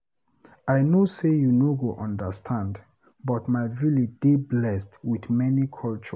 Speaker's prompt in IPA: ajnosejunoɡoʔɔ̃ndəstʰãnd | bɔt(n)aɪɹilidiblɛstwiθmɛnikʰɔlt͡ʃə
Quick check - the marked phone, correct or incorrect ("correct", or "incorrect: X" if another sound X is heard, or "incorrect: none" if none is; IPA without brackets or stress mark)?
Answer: incorrect: m